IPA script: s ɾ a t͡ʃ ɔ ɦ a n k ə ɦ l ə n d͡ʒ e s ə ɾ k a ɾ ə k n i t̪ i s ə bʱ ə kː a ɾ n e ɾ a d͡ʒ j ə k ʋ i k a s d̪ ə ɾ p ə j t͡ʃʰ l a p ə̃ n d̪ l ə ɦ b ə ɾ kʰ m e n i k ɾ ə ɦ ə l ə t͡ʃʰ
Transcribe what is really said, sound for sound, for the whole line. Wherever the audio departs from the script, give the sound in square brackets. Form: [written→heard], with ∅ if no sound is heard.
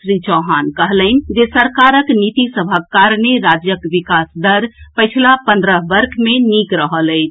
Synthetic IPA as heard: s ɾ [a→i] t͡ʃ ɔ ɦ a n k ə ɦ l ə n d͡ʒ e s ə ɾ k a ɾ ə k n i t̪ i s ə bʱ ə kː a ɾ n e ɾ a d͡ʒ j ə k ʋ i k a s d̪ ə ɾ p ə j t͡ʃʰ l a p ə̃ n d̪ [l→ɾ] ə ɦ b ə ɾ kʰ m e n i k ɾ ə ɦ ə l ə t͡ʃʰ